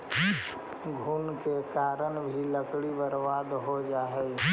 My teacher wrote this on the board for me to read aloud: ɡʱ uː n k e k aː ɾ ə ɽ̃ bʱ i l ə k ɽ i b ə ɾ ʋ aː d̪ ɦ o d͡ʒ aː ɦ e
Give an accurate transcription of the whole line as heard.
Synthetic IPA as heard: ɡʱ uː n k e k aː ɾ ə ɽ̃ bʱ i l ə k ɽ i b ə ɾ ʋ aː d̪ ɦ o d͡ʒ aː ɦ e